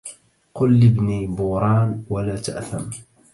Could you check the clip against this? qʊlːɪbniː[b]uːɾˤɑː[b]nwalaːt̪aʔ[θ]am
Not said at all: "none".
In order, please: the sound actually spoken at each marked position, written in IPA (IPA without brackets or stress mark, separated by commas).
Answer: b, none, θ